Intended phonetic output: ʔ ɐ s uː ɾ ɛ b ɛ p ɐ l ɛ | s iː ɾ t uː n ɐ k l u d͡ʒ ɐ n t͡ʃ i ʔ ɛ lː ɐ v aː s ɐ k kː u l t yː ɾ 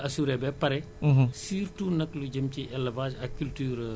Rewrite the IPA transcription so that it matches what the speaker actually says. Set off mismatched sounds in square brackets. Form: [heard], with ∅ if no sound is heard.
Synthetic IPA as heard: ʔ ɐ s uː ɾ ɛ b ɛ p ɐ [ɾ] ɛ | s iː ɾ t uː n ɐ k l u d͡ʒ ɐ [m] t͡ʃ i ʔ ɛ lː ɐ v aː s ɐ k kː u l t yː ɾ

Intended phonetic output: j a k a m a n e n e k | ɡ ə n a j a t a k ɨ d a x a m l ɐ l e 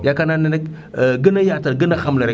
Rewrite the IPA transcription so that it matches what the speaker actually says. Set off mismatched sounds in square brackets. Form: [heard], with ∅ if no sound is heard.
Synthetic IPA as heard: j a k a [n] a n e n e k | ɡ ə n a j a t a [ɡ] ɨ [n] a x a m l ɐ [ɾ] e

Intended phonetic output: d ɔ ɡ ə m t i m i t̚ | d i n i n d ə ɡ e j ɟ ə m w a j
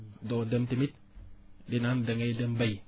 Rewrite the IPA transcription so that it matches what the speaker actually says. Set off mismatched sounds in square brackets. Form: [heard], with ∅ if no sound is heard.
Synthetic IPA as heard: d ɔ [d] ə m t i m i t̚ | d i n [a] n d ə [ŋ] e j [d] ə m [b] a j

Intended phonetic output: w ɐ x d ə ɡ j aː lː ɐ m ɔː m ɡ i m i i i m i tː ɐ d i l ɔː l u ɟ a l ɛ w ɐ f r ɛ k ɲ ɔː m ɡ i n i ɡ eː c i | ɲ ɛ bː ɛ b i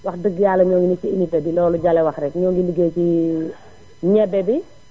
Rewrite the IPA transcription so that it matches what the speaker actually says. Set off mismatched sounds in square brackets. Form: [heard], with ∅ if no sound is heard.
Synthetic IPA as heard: w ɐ x d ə ɡ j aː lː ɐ [ɲ] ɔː [ŋ] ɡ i [n] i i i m i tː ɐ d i l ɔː l u ɟ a l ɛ w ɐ [x] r ɛ k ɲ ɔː [ŋ] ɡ i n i ɡ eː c i | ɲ ɛ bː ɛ b i

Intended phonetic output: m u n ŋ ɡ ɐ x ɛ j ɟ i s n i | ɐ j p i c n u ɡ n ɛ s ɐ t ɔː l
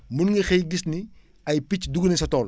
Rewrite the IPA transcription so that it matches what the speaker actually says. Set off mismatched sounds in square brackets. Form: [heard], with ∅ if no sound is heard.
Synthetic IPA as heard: m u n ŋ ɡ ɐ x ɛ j [ɡ] i s n i | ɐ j p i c [d] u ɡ n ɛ s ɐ t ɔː l

